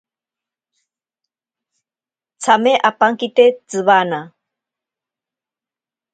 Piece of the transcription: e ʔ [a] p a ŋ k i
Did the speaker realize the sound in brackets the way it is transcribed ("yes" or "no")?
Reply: yes